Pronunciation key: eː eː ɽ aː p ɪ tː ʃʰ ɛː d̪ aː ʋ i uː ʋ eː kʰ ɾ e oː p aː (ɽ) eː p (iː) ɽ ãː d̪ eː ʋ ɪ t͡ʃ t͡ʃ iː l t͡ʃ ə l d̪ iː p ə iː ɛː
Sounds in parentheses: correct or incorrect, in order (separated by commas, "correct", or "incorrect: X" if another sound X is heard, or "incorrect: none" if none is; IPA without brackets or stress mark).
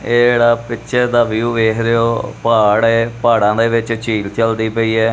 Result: correct, incorrect: aː